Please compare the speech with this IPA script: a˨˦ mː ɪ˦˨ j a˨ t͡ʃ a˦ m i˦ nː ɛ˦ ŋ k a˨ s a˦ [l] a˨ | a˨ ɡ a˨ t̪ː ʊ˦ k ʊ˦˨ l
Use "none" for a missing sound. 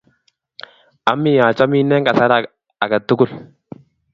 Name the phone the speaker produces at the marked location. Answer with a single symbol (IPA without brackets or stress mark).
ɾ